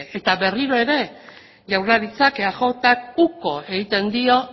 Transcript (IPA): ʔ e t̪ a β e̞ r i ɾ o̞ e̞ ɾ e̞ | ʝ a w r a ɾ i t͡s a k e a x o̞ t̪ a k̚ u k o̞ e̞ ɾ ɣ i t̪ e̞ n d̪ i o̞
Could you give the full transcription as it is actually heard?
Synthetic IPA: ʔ e t̪ a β e̞ r i ɾ o̞ e̞ ɾ e̞ | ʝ a w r a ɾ i t͡s a k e a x o̞ t̪ a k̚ u k o̞ e̞ ɣ i t̪ e̞ n d̪ i o̞

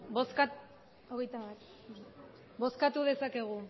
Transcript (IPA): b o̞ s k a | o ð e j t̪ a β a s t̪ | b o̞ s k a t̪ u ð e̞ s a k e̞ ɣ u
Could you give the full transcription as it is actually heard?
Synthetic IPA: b o̞ s k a | o ɣ e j t̪ a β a t̪ | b o̞ s k a t̪ u ð e̞ s a k e̞ ɣ u

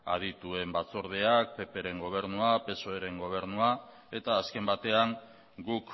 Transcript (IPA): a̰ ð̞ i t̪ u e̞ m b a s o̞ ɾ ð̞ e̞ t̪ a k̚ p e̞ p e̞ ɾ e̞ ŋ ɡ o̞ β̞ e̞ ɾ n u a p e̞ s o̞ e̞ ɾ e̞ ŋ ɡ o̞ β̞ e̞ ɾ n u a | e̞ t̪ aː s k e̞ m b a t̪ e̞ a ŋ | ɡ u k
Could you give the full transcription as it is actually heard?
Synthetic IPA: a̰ ð̞ i t̪ u e̞ m b a t͡s o̞ ɾ ð̞ e̞ a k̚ p e̞ p e̞ ɾ e̞ ŋ ɡ o̞ β̞ e̞ ɾ n u a p e̞ s o̞ e̞ ɾ e̞ ŋ ɡ o̞ β̞ e̞ ɾ n u a | e̞ t̪ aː s k e̞ m b a t̪ e̞ a ŋ | ɡ u k

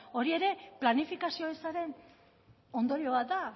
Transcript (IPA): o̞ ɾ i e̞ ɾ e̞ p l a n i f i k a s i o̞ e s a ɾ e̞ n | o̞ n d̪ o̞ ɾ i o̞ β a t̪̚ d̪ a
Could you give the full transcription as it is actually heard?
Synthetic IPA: o̞ ɾ i e̞ ɾ e̞ p l a n i f i k a s i o̞ e s a ɾ e̞ n | o̞ n d̪ o̞ ɾ i o̞ β a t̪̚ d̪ a

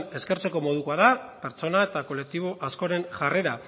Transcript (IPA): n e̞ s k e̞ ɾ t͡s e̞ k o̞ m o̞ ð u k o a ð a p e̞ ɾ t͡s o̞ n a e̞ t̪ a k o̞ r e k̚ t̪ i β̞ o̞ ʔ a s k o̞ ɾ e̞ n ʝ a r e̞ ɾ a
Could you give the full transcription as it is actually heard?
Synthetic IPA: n e̞ s k e̞ ɾ t͡s e̞ k o̞ m o̞ ð u k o a ð a p e̞ ɾ t͡s o̞ n a e̞ t̪ a k o̞ l e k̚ t̪ i β̞ o̞ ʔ a s k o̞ ɾ e̞ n ʝ a r e̞ ɾ a

